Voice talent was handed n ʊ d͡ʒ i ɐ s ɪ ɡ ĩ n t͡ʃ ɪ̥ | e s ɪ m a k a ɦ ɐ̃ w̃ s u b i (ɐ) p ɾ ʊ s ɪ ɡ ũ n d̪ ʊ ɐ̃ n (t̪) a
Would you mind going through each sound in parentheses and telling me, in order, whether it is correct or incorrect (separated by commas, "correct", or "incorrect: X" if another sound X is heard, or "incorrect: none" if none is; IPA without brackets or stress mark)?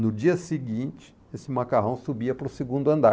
correct, incorrect: d̪